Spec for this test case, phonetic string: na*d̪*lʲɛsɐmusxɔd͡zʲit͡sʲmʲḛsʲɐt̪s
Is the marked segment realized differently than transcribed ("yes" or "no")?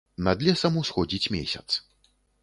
no